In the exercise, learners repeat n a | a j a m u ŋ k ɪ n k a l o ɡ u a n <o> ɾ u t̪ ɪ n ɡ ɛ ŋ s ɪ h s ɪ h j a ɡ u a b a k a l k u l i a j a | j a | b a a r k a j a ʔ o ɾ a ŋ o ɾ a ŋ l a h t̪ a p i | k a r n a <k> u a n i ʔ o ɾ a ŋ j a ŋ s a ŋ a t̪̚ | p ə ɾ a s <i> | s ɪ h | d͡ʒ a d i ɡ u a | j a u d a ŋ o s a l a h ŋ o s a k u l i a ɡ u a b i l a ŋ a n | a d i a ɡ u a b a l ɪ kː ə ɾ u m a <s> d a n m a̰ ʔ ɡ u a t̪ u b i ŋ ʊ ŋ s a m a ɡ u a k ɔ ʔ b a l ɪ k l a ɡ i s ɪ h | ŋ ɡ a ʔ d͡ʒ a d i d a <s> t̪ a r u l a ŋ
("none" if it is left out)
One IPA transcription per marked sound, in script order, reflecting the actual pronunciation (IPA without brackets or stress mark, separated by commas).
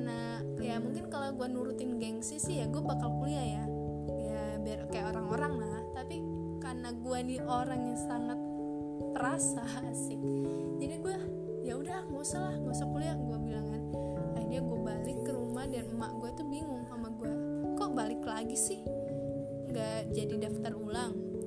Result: u, ɡ, a, h, f